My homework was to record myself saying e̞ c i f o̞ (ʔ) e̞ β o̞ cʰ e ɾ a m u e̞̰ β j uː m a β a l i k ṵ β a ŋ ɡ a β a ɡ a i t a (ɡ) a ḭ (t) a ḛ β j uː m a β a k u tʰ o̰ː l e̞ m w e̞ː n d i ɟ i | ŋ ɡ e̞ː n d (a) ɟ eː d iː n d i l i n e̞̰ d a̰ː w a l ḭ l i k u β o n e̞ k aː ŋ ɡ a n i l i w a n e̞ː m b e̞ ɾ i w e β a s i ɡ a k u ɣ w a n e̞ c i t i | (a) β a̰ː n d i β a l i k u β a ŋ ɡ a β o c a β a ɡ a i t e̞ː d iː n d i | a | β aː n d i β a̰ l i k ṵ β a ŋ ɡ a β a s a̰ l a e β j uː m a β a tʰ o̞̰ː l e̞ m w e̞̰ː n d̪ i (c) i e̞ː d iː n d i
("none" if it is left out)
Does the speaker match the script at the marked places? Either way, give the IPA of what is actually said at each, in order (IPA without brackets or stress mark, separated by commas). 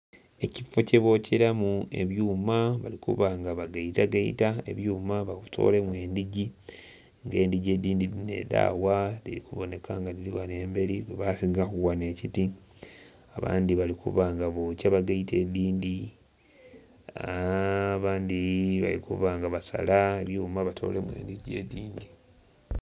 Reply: c, ɡ, t, i, a, ɟ